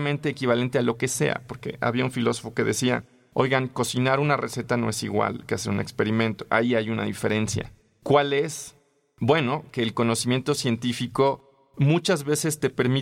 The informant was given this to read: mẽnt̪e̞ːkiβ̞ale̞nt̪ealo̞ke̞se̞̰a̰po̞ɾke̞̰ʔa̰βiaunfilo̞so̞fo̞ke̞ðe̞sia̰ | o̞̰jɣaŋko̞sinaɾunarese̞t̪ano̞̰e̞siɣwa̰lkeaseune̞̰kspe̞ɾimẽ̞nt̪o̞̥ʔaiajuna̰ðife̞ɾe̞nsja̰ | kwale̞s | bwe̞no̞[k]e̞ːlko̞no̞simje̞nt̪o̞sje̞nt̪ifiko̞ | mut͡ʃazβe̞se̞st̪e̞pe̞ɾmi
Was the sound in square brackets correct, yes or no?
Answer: yes